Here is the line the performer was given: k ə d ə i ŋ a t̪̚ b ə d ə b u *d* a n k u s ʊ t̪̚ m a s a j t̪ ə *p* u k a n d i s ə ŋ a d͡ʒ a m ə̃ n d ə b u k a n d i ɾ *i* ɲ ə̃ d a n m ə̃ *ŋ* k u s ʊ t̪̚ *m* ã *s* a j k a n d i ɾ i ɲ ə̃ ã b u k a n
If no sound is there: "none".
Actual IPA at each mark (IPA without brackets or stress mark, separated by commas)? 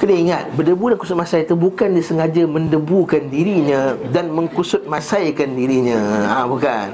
d, b, i, ŋ, m, s